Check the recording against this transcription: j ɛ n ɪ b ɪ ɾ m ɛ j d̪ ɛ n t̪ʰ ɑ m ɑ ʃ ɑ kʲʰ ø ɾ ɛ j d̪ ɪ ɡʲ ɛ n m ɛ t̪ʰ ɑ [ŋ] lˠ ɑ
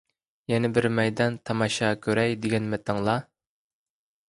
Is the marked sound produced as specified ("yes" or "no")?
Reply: yes